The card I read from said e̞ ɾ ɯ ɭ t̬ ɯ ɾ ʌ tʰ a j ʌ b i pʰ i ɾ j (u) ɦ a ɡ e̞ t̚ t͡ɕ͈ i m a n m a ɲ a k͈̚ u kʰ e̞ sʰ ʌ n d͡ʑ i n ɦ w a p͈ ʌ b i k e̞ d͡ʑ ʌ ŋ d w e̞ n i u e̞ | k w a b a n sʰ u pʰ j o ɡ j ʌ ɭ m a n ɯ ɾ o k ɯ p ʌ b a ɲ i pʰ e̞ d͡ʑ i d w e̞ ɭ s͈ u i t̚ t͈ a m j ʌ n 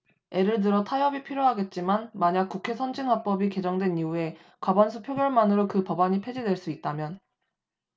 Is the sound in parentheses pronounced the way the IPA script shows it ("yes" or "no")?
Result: no